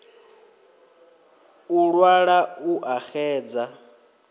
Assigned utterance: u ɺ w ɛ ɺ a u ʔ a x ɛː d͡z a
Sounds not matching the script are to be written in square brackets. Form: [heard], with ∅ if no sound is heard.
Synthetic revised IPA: u ɺ w [a] ɺ a u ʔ a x ɛː d͡z a